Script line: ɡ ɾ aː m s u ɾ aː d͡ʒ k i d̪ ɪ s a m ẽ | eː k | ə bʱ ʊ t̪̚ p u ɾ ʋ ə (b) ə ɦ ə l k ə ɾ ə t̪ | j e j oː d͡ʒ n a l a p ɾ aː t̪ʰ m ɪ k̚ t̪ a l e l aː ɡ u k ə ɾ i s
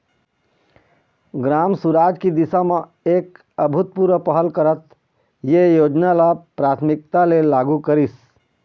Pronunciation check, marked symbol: incorrect: p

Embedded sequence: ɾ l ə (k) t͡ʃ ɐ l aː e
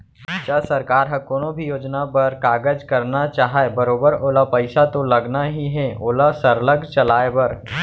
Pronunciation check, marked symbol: incorrect: ɡ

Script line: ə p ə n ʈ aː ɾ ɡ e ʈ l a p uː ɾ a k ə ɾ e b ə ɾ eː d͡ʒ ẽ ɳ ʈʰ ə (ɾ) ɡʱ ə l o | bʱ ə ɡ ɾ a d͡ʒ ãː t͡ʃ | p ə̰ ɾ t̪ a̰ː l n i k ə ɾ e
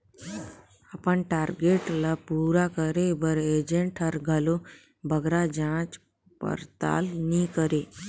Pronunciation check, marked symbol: correct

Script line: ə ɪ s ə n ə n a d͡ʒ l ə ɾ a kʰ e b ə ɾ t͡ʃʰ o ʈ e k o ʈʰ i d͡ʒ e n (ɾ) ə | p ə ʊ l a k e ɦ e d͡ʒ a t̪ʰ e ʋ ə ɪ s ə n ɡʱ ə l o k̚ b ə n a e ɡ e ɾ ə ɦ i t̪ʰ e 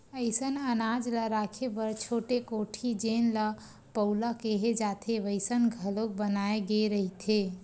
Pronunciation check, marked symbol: incorrect: l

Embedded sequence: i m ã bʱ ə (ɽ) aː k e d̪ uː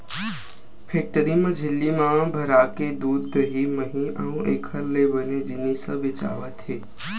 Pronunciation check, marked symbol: incorrect: ɾ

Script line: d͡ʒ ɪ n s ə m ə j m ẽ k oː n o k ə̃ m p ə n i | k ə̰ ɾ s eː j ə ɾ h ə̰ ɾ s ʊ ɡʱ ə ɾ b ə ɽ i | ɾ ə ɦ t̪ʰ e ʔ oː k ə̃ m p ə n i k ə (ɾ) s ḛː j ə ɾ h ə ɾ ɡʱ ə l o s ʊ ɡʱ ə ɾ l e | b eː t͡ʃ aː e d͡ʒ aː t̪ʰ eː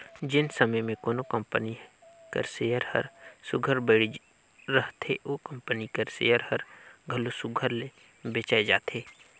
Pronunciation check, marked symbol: correct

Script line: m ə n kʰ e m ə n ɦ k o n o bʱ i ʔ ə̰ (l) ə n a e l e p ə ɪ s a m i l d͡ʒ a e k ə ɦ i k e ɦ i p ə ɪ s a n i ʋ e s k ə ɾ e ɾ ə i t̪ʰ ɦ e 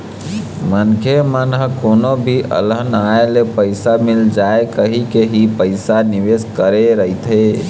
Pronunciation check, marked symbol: correct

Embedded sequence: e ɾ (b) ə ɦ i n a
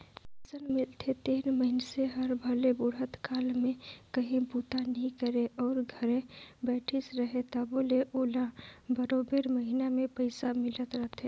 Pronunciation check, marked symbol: incorrect: m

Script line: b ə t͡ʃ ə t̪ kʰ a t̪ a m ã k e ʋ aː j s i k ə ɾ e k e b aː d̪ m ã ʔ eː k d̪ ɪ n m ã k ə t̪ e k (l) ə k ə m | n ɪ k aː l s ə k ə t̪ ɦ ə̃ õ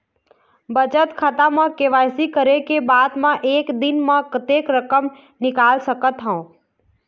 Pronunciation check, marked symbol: incorrect: ɾ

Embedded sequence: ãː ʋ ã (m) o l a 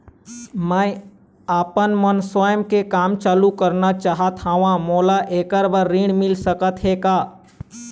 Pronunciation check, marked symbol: correct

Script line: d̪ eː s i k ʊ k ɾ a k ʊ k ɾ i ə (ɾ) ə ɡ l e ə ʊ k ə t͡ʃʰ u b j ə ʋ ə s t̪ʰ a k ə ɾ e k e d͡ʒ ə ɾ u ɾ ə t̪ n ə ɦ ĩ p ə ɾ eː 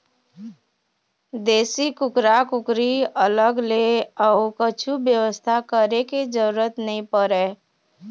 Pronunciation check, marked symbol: incorrect: l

